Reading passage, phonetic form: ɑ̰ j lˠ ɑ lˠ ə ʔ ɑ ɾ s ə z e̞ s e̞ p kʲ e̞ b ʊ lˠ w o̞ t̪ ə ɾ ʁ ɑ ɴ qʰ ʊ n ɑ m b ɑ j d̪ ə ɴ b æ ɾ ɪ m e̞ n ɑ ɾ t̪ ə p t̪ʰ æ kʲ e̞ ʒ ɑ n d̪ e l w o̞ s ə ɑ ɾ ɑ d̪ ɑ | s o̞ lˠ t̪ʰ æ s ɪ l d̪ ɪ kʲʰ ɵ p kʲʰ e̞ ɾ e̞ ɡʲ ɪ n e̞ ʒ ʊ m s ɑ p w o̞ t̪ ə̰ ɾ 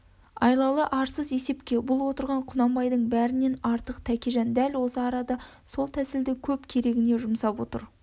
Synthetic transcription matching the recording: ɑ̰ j lˠ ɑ lˠ ə ʔ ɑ ɾ s ə z e̞ s e̞ p kʲ e̞ b ʊ lˠ w o̞ t̪ ə ɾ ʁ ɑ ɴ qʰ ʊ n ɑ m b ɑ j d̪ ə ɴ b æ ɾ ɪ n e̞ n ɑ ɾ t̪ ə q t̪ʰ æ kʲ e̞ ʒ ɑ n d̪ æ l w o̞ s ə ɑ ɾ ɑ d̪ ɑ | s o̞ lˠ t̪ʰ æ s ɪ l d̪ ɪ kʲʰ ɵ p kʲʰ e̞ ɾ e̞ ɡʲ ɪ n e̞ ʒ ʊ m s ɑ p w o̞ t̪ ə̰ ɾ